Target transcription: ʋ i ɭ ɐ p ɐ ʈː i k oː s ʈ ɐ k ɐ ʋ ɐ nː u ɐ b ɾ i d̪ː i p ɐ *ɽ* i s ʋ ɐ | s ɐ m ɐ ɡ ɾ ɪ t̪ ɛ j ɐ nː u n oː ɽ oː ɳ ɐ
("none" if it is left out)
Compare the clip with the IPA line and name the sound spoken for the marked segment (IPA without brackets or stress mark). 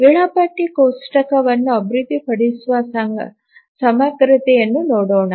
ɽ